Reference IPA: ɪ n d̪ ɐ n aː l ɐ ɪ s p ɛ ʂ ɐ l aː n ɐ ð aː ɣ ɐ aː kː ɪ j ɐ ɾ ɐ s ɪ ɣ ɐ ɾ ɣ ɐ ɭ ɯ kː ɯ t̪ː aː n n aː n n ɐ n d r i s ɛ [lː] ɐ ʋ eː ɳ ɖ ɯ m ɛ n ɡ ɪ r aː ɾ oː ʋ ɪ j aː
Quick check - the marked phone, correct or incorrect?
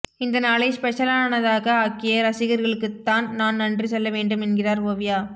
correct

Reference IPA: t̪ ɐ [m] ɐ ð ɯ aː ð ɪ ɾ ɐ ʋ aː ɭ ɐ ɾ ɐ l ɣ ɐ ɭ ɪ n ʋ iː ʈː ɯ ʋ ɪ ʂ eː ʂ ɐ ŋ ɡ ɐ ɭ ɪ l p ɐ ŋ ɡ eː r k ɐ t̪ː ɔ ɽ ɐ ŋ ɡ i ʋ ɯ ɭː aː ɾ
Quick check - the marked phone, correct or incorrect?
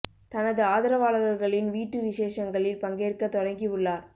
incorrect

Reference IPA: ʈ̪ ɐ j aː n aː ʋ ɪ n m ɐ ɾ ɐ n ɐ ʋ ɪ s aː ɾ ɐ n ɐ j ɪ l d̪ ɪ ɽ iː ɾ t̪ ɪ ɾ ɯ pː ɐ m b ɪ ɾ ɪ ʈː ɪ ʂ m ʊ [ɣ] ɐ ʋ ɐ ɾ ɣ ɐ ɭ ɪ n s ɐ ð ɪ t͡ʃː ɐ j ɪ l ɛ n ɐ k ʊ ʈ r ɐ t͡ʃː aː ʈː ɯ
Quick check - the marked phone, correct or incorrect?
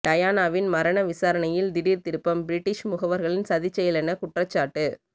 correct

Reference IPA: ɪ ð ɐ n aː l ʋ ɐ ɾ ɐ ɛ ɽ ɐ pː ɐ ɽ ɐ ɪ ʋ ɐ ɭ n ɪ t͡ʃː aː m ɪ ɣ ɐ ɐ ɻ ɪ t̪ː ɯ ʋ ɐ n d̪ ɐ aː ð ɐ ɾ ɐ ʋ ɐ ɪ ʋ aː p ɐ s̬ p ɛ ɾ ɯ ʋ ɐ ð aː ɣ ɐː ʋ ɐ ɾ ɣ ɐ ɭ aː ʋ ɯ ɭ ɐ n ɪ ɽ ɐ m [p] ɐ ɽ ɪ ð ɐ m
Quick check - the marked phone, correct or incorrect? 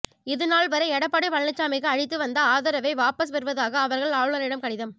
incorrect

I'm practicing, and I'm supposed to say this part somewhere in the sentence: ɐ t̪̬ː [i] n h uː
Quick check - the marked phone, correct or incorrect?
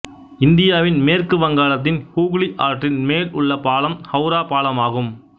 incorrect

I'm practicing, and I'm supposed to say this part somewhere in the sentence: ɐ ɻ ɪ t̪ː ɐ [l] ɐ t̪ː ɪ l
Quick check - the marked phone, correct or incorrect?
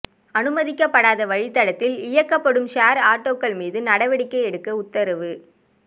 incorrect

